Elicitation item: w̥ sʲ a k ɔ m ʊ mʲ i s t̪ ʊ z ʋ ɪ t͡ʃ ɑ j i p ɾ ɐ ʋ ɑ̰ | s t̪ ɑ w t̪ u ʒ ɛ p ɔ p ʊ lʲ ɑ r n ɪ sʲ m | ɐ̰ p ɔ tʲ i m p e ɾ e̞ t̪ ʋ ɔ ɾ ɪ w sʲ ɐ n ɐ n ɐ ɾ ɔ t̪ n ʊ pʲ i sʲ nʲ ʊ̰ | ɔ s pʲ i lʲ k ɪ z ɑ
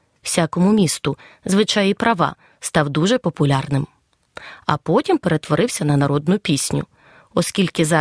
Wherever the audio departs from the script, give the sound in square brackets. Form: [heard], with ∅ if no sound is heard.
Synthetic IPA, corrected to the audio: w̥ sʲ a k ɔ m ʊ mʲ i s t̪ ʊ z ʋ ɪ t͡ʃ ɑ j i p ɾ ɐ ʋ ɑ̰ | s t̪ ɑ w [d̪] u ʒ ɛ p ɔ p ʊ lʲ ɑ r n ɪ [∅] m | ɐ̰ p ɔ tʲ i m p e ɾ e̞ t̪ ʋ ɔ ɾ ɪ w sʲ ɐ n ɐ n ɐ ɾ ɔ [d̪] n ʊ pʲ i sʲ nʲ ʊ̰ | ɔ s [kʲ] i lʲ k ɪ z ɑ